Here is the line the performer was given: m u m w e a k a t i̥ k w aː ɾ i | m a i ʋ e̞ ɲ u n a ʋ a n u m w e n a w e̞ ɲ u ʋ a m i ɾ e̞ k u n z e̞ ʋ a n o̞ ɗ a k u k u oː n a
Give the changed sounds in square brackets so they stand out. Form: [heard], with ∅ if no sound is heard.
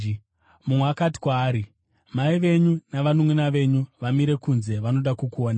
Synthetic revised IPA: m u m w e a k a t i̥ k w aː ɾ i | m a i ʋ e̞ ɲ u n a ʋ a n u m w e n a [ʋ] e̞ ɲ u ʋ a m i ɾ e̞ k u n z e̞ ʋ a n o̞ ɗ a k u k u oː n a